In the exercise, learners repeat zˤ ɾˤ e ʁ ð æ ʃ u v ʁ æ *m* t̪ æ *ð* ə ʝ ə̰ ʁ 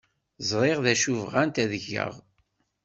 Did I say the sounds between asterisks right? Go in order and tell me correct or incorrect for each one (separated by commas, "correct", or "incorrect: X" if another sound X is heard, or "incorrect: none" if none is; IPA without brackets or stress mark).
incorrect: n, correct